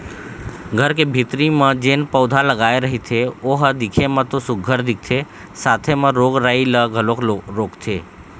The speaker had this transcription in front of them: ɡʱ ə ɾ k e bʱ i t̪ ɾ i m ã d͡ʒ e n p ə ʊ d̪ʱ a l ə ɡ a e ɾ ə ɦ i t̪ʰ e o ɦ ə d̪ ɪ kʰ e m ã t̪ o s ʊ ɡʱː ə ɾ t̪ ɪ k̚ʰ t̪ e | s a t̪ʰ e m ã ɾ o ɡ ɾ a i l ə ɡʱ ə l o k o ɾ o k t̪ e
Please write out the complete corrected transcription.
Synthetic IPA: ɡʱ ə ɾ k e bʱ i t̪ ɾ i m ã d͡ʒ e n p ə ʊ d̪ʱ a l ə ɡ a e ɾ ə ɦ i t̪ʰ e o ɦ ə d̪ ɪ kʰ e m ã t̪ o s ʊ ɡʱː ə ɾ d̪ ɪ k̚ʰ t̪ʰ e | s a t̪ʰ e m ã ɾ o ɡ ɾ a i l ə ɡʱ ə l o k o ɾ o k t̪ʰ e